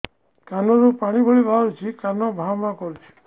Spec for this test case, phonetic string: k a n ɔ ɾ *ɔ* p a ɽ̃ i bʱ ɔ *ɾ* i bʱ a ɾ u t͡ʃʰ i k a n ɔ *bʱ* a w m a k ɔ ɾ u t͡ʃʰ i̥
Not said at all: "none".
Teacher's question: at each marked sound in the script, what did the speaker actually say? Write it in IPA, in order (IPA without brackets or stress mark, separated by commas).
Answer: u, ɭ, bʱ